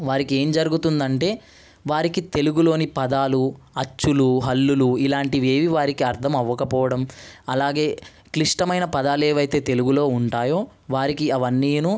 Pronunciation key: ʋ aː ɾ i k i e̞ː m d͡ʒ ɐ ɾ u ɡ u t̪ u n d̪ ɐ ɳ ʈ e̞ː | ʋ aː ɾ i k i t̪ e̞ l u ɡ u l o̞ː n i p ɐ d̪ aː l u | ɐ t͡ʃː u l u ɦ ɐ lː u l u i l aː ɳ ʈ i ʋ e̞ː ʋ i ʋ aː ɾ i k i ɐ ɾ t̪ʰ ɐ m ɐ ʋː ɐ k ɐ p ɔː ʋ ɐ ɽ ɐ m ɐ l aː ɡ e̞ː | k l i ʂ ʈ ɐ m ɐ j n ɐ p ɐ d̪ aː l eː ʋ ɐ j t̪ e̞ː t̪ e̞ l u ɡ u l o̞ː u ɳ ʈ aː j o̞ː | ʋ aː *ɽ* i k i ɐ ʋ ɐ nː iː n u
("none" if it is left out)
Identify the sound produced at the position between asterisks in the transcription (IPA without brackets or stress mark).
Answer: ɾ